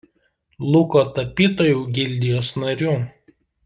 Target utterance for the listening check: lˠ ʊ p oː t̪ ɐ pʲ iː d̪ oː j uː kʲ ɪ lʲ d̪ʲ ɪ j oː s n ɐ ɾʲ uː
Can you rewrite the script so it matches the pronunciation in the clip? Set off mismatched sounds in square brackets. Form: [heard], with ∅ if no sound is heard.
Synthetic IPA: lˠ ʊ [k] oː t̪ ɐ pʲ iː [t̪] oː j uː [ɡʲ] ɪ lʲ d̪ʲ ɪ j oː s n ɐ ɾʲ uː